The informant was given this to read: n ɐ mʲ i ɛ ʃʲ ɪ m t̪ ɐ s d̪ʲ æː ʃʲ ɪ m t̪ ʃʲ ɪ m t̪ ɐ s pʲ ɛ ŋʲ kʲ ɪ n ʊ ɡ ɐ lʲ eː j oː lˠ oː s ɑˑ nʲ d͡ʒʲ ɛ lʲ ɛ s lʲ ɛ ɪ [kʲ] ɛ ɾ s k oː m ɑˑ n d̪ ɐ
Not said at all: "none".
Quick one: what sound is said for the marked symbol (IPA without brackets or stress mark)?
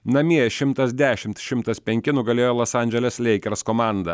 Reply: kʲ